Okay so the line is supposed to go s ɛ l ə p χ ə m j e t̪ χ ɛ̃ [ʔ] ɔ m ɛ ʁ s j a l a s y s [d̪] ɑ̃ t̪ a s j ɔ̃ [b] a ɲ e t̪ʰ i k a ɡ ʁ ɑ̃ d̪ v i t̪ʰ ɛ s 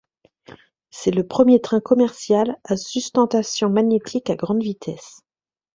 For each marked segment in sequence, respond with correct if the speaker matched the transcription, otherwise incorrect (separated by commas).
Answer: incorrect, incorrect, incorrect